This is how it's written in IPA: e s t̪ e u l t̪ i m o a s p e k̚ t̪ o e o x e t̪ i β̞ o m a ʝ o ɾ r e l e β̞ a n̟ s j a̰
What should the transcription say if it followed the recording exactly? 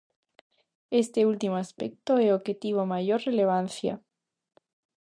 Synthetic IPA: e s t̪ e u l t̪ i m o a s p e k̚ t̪ o e o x e t̪ i β̞ o m a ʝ o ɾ r e l e β̞ a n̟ θ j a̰